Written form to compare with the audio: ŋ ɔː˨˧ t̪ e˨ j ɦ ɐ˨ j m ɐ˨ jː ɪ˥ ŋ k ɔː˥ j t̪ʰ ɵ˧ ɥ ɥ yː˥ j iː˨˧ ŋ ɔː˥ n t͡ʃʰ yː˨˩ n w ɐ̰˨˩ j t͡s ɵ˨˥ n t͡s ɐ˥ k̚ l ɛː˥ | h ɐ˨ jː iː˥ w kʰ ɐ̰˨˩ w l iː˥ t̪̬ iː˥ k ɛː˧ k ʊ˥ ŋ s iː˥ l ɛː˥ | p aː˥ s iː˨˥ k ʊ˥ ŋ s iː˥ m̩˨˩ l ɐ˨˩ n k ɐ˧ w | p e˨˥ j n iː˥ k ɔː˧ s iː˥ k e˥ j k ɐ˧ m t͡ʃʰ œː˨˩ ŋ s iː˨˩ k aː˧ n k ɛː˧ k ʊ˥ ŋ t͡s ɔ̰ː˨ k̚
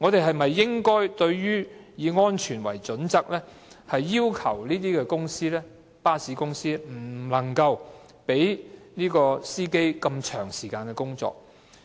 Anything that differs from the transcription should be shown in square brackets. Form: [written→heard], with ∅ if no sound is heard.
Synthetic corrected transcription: ŋ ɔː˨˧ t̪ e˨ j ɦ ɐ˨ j m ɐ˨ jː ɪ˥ ŋ k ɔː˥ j [t̪ʰ→t̪] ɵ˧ ɥ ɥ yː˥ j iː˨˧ ŋ ɔː˥ n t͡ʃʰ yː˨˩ n w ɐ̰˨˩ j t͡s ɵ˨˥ n t͡s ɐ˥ k̚ l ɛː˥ | h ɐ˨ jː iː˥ w kʰ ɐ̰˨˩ w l iː˥ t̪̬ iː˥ k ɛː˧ k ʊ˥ ŋ s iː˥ l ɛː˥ | p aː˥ s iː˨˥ k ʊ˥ ŋ s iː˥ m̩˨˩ l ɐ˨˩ [n→ŋ] k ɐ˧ w | p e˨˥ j n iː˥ k ɔː˧ s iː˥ k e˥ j k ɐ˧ m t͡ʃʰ œː˨˩ ŋ s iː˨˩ k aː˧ n k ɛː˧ k ʊ˥ ŋ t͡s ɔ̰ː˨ k̚